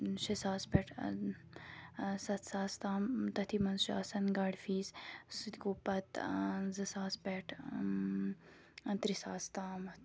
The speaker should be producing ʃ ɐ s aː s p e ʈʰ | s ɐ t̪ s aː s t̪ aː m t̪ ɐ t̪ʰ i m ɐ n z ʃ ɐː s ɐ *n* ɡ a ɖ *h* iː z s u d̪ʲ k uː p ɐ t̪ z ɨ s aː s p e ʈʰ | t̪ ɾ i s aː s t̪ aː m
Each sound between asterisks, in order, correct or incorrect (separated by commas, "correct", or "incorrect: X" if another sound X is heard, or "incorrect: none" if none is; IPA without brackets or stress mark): correct, incorrect: f